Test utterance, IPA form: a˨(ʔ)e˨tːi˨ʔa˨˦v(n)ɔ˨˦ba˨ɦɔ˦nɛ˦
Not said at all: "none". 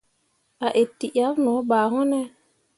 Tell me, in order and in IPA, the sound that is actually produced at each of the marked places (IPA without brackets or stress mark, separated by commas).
ʔ, n